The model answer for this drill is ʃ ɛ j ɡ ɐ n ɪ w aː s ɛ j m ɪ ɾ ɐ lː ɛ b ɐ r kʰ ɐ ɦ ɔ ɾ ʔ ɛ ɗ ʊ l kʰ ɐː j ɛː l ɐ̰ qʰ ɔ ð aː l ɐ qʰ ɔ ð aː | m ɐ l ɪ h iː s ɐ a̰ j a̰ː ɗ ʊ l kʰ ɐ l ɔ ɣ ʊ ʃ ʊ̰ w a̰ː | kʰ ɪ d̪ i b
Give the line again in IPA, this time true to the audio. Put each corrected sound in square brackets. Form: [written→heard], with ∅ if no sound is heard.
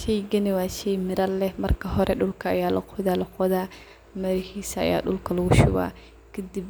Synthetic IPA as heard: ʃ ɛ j ɡ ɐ n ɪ w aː [s→ʃ] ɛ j m ɪ ɾ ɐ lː ɛ [b→m] ɐ r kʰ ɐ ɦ ɔ ɾ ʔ ɛ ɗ ʊ l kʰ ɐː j [ɛː→aː] l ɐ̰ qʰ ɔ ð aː l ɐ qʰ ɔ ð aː | m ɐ [l→ɾ] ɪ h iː s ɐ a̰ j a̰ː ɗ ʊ l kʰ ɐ l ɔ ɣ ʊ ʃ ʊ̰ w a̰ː | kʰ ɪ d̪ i b